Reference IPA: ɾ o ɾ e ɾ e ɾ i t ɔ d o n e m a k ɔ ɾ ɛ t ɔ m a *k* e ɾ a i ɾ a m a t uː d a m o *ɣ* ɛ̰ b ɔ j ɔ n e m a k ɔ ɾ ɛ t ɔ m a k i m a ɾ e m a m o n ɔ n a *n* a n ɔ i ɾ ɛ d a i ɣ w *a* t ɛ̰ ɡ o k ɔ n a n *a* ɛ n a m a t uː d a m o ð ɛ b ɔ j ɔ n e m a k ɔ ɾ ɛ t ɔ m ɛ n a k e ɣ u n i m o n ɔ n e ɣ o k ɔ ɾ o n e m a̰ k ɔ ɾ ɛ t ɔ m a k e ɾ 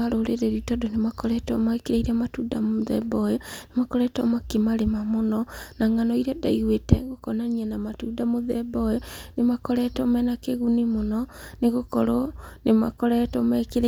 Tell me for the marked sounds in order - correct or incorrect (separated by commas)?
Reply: correct, incorrect, incorrect, incorrect, incorrect